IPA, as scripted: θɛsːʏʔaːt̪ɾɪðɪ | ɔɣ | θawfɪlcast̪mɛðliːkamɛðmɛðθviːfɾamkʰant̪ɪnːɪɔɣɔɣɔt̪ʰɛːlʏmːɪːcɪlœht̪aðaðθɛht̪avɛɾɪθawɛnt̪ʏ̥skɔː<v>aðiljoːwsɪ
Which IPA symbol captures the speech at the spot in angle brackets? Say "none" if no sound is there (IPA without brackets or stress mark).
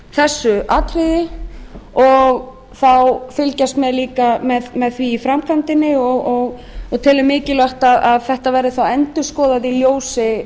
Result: ð